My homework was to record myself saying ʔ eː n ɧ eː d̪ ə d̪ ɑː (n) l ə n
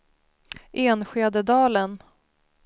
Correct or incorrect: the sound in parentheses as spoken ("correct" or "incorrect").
incorrect